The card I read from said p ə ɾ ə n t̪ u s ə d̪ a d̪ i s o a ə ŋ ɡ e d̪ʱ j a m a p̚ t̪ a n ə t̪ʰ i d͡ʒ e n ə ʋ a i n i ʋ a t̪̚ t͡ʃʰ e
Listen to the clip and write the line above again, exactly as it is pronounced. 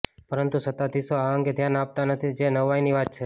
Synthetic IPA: p ə ɾ ə n t̪ u s ə t̪ a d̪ i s o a ə ŋ ɡ e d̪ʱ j a n a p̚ t̪ a n ə t̪ʰ i d͡ʒ e n ə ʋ a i n i ʋ a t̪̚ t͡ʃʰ e